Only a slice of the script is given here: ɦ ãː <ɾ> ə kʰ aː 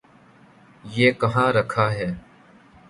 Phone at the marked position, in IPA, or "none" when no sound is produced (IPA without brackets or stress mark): ɾ